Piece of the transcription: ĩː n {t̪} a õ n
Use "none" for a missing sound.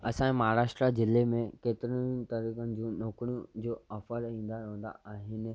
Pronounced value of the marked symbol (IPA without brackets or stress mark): d̪